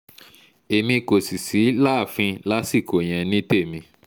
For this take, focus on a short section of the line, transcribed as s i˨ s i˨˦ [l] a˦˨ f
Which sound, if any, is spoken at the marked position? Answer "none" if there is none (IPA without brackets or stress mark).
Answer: l